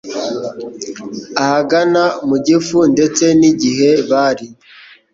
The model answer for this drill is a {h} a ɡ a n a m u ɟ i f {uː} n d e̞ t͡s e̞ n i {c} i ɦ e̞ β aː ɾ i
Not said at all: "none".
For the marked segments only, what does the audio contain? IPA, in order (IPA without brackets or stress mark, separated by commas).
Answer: h, u, ɟ